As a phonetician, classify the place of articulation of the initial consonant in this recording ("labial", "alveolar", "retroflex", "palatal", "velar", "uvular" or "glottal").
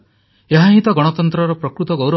glottal